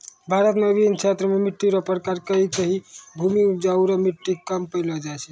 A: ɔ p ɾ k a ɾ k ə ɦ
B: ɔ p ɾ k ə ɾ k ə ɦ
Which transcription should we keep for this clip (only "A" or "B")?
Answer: A